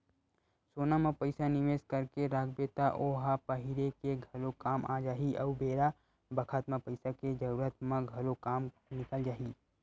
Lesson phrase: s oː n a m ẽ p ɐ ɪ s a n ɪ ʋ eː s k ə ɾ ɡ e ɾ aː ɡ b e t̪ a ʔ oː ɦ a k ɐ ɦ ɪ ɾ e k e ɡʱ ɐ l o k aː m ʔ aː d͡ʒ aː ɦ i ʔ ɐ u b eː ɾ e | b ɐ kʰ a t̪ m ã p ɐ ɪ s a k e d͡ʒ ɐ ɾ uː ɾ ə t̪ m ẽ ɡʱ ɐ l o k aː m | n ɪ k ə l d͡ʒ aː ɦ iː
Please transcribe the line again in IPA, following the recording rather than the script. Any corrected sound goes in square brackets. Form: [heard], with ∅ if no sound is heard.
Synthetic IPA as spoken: s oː n a m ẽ p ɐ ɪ s a n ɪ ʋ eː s k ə ɾ [k] e ɾ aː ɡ b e t̪ a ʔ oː ɦ a [p] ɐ ɦ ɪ ɾ e k e ɡʱ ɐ l o k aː m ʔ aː d͡ʒ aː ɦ i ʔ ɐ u b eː ɾ [a] | b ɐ kʰ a t̪ m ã p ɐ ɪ s a k e d͡ʒ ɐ ɾ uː ɾ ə t̪ m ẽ ɡʱ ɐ l o k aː m | n ɪ k ə l d͡ʒ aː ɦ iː